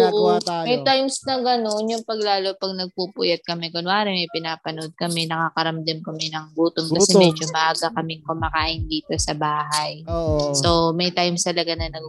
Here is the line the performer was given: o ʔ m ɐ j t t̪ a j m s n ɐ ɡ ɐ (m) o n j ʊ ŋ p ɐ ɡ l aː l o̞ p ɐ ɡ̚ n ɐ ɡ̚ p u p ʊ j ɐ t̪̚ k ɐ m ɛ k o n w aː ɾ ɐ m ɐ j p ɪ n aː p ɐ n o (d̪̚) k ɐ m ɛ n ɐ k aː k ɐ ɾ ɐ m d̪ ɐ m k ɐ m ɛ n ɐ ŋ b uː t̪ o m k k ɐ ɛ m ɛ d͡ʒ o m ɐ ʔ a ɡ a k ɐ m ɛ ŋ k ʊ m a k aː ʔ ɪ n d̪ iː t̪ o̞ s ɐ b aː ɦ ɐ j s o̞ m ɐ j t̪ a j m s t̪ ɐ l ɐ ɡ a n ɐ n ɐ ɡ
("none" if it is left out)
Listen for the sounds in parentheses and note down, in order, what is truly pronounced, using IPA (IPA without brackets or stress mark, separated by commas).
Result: n, d̪̚